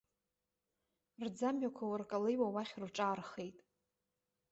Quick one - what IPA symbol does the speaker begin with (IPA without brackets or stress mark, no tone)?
r